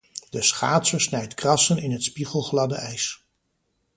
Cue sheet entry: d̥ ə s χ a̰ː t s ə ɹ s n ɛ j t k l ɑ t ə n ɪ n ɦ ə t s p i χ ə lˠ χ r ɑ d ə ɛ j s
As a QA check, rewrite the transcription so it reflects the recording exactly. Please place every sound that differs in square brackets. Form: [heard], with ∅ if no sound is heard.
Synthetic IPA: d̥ ə s χ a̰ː t s ə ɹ s n ɛ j t k [r] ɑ [s] ə n ɪ n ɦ ə t s p i χ ə lˠ χ [l] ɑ d ə ɛ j s